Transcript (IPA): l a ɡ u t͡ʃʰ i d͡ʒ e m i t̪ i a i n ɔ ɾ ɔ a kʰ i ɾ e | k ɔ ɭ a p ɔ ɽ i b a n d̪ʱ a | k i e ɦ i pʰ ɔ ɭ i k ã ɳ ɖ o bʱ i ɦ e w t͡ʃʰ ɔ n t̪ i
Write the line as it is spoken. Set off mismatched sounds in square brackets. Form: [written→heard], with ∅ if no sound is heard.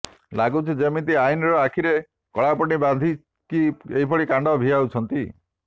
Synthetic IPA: l a ɡ u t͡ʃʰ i d͡ʒ e m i t̪ i a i n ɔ ɾ ɔ a kʰ i ɾ e | k ɔ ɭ a p ɔ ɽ i b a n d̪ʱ [a→i] | k i e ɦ i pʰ ɔ ɭ i k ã ɳ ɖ [o→ɔ] bʱ i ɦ [e→a] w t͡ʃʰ ɔ n t̪ i